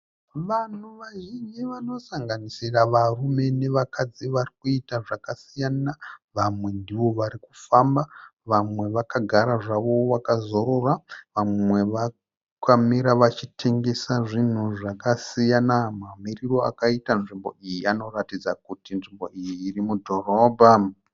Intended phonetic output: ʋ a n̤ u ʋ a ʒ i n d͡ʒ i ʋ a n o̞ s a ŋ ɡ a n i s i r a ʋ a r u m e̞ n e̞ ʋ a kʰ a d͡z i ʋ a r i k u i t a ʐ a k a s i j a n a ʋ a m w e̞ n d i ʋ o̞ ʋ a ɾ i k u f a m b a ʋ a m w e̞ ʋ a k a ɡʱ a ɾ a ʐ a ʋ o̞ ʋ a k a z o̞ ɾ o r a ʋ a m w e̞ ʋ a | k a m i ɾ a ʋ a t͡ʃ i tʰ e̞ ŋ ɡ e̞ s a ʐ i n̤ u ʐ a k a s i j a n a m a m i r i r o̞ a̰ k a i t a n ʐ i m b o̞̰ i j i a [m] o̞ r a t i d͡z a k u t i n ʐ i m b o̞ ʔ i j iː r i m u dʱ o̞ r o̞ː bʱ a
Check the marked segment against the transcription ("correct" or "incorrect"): incorrect